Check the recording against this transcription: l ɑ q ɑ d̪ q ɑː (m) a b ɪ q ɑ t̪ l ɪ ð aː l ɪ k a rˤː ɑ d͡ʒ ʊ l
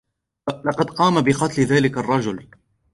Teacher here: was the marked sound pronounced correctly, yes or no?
yes